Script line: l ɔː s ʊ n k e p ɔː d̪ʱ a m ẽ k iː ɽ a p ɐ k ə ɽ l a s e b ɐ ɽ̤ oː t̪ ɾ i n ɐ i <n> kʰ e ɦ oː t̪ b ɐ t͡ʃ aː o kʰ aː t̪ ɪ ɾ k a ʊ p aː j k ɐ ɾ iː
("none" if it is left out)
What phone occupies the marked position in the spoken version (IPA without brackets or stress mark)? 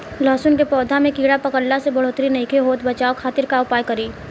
none